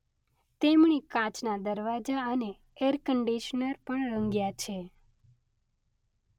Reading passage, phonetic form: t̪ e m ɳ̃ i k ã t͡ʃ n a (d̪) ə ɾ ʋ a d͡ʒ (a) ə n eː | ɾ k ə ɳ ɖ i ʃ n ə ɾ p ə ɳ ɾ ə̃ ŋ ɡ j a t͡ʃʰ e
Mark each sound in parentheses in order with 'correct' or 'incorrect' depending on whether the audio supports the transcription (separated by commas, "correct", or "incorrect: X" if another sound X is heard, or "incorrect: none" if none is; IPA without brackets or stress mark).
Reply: correct, correct